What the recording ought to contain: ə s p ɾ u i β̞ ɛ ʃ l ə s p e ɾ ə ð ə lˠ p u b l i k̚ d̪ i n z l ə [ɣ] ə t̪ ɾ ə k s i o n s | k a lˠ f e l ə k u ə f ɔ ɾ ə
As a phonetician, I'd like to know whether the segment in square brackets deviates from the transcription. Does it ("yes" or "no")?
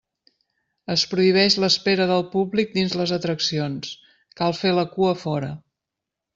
yes